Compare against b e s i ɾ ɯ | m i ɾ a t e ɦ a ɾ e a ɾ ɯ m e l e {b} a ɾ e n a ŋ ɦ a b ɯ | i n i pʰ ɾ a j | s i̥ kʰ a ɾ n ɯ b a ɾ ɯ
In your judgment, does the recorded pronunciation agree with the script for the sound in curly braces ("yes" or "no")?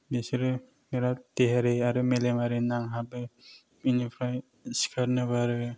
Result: no